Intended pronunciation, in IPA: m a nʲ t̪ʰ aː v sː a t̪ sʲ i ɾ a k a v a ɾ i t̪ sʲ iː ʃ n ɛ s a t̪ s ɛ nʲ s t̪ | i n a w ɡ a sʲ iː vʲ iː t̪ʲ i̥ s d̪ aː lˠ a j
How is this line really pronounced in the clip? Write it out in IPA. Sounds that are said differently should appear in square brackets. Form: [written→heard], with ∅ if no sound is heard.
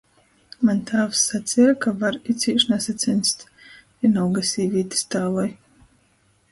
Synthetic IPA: m a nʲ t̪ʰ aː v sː a t̪ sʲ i ɾ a k a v a ɾ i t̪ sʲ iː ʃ n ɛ s a t̪ s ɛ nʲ s t̪ | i n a w ɡ a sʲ iː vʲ iː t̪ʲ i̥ s [d̪→t̪] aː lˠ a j